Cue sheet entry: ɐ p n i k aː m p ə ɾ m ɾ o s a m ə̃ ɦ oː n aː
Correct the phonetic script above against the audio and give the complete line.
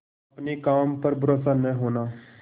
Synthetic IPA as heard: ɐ p n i k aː m p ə ɾ b ɾ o s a n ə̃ ɦ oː n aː